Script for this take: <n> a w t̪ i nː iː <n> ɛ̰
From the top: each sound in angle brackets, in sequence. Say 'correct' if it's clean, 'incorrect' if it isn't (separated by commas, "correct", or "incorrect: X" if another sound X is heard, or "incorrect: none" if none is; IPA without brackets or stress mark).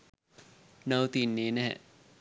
correct, correct